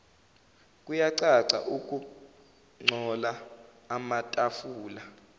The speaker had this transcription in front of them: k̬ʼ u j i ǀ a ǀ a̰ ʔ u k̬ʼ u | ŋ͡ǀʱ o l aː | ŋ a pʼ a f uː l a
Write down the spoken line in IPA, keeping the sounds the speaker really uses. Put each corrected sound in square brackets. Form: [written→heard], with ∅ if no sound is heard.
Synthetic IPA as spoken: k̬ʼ u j [i→a] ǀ a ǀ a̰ ʔ u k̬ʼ u | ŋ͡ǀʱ [o→ɔ] l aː | [ŋ→m] a [pʼ→tʼ] a f uː l a